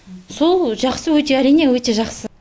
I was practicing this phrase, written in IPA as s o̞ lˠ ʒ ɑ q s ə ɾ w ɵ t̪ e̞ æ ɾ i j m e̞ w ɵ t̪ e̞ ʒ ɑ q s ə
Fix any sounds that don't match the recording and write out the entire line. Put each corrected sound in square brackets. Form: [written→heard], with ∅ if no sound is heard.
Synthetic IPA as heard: s o̞ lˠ ʒ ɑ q s ə [ɾ→∅] w ɵ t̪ e̞ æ ɾ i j [m→n] e̞ w ɵ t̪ e̞ ʒ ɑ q s ə